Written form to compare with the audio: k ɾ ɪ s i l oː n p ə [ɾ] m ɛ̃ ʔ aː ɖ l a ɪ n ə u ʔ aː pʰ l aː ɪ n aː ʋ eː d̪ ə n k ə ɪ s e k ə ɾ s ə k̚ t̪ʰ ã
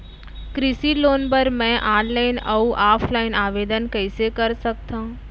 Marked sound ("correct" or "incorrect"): correct